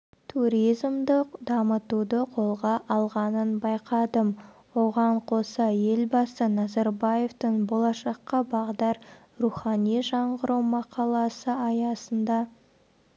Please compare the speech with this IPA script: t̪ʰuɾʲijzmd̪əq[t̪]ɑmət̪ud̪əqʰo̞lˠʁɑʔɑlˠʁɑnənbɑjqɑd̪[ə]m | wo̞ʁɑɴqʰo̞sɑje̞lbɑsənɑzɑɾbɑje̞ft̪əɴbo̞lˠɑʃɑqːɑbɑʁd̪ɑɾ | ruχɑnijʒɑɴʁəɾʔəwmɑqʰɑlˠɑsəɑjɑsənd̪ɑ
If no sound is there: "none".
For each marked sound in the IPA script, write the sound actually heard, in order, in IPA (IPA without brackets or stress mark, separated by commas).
d̪, ə